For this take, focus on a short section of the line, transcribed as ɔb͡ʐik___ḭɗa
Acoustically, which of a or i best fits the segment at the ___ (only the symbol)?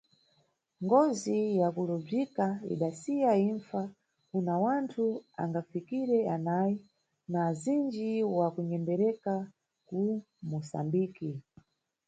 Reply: a